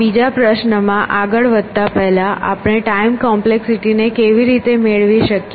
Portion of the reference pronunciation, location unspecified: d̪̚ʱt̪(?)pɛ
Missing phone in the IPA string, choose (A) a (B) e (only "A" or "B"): A